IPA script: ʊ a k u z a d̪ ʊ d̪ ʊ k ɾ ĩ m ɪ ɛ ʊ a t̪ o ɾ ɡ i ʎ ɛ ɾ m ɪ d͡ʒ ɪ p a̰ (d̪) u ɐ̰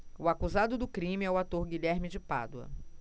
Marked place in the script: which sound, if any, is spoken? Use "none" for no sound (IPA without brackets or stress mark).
d̪